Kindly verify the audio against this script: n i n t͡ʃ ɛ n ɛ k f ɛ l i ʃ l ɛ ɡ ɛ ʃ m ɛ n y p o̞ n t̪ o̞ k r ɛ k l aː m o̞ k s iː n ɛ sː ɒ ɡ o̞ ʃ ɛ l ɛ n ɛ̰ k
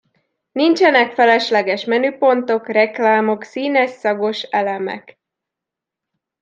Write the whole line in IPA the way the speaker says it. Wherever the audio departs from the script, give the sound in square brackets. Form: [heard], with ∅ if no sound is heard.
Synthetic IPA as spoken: n i n t͡ʃ ɛ n ɛ k f ɛ l [ɛ] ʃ l ɛ ɡ ɛ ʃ m ɛ n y p o̞ n t̪ o̞ k r ɛ k l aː m o̞ k s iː n ɛ sː ɒ ɡ o̞ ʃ ɛ l ɛ [m] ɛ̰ k